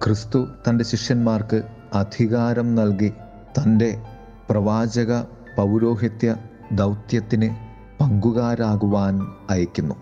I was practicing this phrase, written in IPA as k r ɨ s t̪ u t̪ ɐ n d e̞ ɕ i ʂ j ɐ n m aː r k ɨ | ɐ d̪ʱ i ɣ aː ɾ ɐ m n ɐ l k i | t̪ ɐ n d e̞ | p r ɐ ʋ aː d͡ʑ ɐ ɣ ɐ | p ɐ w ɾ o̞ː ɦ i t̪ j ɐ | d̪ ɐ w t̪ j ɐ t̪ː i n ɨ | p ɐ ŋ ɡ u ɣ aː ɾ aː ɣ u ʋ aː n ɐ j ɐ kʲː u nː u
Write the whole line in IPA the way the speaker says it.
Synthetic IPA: k r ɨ s t̪ u t̪ ɐ n d e̞ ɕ i ʂ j ɐ n m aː r k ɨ | ɐ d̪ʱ i ɣ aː ɾ ɐ m n ɐ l k i | t̪ ɐ n d e̞ | p r ɐ ʋ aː d͡ʑ ɐ ɣ ɐ | p ɐ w ɾ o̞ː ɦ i t̪ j ɐ | d̪ ɐ w t̪ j ɐ t̪ː i n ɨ | p ɐ ŋ ɡ u ɣ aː ɾ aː ɣ u ʋ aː n ɐ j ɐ kʲː u nː u